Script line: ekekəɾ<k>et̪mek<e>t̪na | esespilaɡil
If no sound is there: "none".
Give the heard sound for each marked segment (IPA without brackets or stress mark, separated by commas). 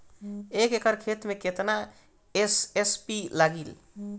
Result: kʰ, e